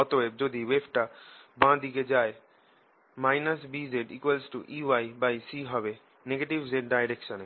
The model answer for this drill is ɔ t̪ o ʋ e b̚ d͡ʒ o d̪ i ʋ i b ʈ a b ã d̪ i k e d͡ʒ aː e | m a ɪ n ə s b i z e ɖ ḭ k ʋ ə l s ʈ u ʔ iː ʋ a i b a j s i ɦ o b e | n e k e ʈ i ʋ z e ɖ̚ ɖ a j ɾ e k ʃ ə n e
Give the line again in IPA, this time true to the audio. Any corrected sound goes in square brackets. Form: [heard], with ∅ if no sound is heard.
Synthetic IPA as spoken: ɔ t̪ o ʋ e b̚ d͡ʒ o d̪ i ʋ [e] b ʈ a b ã d̪ i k e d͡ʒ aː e | m a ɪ n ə s b i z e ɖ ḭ k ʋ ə l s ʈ u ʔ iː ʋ a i b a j s i ɦ [ɔ] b e | n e [ɡ] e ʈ i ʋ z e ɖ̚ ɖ a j ɾ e k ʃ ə n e